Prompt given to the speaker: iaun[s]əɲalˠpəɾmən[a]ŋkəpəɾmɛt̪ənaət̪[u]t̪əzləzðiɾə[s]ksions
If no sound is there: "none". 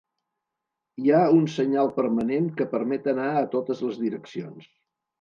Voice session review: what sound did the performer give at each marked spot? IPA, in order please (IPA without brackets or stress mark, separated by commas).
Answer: s, e, o, none